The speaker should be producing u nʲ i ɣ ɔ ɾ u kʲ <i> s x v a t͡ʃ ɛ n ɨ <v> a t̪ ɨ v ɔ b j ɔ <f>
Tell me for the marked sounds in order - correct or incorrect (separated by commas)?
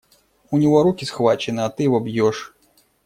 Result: correct, incorrect, incorrect